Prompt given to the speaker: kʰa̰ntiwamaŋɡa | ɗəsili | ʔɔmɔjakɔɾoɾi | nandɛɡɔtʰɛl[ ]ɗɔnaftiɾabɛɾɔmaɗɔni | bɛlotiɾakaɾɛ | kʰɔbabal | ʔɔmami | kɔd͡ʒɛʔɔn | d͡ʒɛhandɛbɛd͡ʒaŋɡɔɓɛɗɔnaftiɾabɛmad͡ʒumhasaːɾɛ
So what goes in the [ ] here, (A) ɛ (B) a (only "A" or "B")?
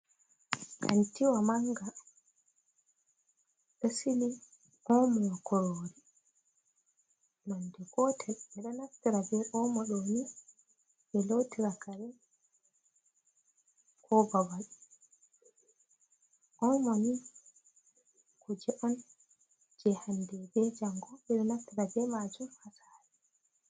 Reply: A